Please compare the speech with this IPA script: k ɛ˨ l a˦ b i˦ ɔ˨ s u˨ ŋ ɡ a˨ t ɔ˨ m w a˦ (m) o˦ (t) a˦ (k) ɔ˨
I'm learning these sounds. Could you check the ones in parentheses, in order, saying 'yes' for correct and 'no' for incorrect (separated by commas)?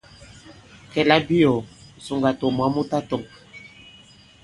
yes, yes, no